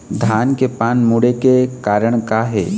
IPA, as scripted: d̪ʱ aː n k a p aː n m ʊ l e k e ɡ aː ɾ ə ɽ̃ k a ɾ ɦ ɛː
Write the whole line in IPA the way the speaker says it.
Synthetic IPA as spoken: d̪ʱ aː n k e p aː n m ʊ ɽ e k e k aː ɾ ə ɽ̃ k a ɦ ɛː